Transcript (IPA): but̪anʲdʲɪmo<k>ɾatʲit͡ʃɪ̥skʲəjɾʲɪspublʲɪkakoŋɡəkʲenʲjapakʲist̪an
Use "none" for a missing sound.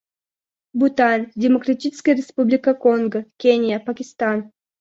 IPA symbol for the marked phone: k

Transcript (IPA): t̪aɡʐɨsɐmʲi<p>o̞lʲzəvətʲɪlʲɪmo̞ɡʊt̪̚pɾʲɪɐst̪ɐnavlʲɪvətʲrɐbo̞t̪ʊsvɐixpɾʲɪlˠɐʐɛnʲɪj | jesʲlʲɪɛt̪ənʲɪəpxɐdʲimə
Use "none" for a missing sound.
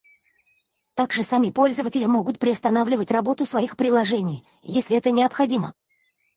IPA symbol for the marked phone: p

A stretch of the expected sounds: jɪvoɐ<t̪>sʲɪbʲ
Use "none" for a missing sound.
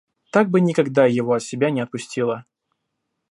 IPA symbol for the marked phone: t̪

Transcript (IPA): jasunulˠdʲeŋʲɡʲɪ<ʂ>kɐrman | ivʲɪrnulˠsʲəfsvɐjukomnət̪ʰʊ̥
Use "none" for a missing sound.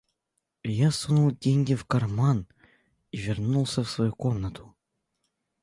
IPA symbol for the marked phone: f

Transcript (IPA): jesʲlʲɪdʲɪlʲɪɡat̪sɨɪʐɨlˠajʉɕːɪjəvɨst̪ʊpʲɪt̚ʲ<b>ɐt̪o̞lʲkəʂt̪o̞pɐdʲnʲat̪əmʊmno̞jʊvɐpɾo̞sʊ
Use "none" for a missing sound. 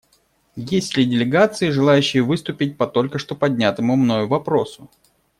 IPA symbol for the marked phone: p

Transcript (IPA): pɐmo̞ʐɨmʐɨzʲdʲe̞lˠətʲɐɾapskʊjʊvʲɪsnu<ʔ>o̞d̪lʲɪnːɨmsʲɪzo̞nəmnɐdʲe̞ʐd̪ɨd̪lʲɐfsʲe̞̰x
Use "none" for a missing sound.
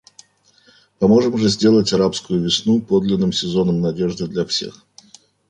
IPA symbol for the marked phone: p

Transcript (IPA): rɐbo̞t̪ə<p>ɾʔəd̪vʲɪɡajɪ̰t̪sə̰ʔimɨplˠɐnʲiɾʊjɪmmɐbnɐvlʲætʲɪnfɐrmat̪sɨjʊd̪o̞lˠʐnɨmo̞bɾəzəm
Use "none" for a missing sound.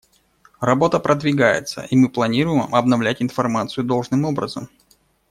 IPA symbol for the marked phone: p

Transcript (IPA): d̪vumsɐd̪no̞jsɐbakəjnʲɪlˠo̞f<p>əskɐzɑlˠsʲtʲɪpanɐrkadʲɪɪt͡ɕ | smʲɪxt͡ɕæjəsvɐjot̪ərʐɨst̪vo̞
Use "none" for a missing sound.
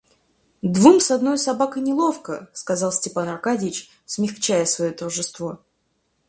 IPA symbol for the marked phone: k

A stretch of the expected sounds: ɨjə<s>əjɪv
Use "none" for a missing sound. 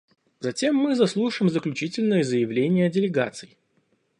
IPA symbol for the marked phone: z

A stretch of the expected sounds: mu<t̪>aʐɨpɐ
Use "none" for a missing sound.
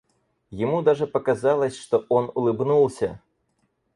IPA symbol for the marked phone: d̪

